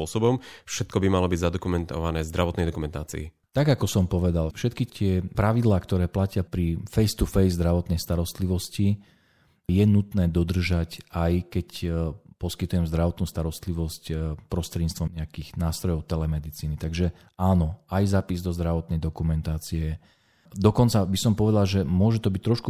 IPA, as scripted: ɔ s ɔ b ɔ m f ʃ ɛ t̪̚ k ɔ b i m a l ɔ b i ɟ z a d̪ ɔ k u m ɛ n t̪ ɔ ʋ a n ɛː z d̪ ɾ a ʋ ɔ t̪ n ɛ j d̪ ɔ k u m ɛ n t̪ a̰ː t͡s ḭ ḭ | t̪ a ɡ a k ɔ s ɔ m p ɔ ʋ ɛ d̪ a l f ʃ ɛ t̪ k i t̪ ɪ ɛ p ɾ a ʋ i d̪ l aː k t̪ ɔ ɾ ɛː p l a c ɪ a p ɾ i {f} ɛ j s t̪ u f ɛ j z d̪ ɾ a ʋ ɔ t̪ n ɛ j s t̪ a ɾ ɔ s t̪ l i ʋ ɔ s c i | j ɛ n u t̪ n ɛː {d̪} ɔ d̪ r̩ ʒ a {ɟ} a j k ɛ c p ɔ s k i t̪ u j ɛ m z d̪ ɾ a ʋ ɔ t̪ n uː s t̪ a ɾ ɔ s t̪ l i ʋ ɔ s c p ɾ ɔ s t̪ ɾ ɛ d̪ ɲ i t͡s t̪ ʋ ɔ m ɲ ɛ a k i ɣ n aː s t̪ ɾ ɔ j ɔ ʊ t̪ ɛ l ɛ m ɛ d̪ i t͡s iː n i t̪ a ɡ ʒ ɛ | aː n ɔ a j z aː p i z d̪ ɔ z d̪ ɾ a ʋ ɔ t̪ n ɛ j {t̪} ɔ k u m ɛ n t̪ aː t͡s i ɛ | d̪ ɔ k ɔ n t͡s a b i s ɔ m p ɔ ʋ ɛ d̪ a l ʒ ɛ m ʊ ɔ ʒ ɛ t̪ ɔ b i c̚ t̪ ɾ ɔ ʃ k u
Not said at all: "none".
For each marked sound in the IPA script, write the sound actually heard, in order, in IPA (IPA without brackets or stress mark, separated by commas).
f, d̪, c, d̪